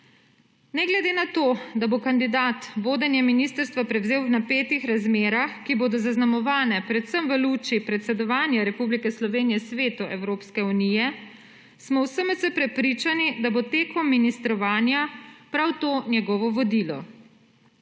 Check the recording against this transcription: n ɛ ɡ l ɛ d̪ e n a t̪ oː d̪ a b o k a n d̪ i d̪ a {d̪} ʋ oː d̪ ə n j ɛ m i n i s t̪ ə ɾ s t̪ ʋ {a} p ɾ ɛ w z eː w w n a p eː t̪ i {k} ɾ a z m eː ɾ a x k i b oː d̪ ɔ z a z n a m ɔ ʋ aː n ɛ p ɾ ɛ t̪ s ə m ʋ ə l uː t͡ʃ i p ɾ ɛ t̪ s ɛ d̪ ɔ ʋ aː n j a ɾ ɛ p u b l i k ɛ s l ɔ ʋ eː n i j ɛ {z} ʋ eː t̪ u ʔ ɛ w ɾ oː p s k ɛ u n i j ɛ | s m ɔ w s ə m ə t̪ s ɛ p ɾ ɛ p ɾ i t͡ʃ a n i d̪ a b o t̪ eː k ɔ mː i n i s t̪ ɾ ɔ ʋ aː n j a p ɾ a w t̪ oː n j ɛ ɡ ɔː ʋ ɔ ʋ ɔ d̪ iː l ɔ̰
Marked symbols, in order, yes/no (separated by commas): no, yes, no, no